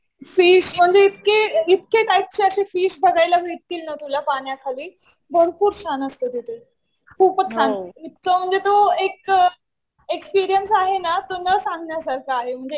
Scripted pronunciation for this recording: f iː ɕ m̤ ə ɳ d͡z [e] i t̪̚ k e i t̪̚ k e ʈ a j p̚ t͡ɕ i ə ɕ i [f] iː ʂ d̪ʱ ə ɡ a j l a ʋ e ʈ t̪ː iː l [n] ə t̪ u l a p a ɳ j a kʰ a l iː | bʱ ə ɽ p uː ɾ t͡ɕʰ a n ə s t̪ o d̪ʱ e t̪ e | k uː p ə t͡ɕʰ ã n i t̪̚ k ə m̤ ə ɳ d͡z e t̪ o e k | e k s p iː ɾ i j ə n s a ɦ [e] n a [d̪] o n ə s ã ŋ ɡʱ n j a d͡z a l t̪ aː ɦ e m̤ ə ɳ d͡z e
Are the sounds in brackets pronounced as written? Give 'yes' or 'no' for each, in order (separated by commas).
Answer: yes, yes, yes, yes, no